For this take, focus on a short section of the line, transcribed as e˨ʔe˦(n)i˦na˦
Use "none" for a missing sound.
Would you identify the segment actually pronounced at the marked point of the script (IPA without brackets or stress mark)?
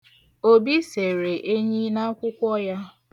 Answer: ɲ